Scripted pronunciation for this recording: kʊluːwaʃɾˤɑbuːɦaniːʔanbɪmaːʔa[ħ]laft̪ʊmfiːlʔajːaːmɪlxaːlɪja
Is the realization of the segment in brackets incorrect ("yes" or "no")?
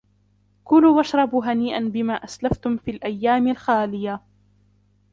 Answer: yes